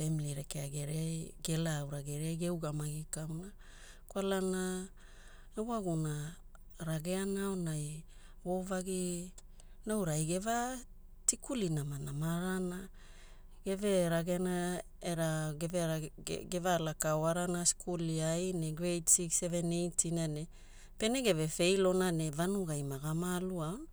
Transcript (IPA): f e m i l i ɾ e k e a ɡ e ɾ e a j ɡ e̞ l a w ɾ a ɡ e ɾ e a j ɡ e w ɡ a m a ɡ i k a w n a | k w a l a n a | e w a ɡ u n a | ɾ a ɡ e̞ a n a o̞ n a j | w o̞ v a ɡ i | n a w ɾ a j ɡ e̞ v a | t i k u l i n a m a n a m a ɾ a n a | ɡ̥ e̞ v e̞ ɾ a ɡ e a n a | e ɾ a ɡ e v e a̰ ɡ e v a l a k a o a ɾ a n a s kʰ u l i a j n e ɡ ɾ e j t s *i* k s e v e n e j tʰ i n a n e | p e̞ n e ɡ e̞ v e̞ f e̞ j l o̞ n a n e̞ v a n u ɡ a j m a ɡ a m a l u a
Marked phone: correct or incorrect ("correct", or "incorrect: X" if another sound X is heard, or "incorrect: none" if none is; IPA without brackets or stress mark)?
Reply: correct